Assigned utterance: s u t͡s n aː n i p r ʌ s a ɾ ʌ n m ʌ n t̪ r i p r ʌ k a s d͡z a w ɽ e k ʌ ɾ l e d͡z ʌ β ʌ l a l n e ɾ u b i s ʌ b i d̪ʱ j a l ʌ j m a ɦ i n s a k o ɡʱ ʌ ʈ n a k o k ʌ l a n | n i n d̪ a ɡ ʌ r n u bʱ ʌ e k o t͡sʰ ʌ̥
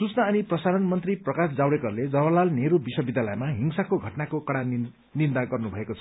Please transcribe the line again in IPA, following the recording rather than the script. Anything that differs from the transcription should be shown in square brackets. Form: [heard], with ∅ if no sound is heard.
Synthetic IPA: s u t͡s n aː n i p r ʌ s a ɾ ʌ n m ʌ n t̪ r i p r ʌ k a s d͡z a w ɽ e k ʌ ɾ l e d͡z ʌ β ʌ l a l n e ɾ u b i s ʌ b i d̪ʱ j a l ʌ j m a ɦ i [ŋ] s a k o ɡʱ ʌ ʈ n a k o k ʌ [ɽ] a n | n i n d̪ a ɡ ʌ r n u bʱ ʌ e k o t͡sʰ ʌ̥